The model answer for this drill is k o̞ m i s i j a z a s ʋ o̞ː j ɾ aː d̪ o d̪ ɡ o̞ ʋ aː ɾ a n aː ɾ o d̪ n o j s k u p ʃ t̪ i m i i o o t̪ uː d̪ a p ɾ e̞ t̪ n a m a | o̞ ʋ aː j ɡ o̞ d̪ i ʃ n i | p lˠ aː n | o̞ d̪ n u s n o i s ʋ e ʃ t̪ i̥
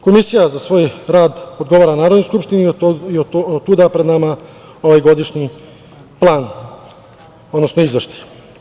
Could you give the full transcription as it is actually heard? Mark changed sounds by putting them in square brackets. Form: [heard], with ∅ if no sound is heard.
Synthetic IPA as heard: k o̞ m i s i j a z a s ʋ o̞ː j ɾ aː d̪ o d̪ ɡ o̞ ʋ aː ɾ a n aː ɾ o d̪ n o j s k u p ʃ t̪ i [n] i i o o t̪ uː d̪ a p ɾ e̞ [d̪] n a m a | o̞ ʋ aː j ɡ o̞ d̪ i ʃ [ɲ] i | p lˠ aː n | o̞ d̪ n [o] s n o i [z] ʋ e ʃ t̪ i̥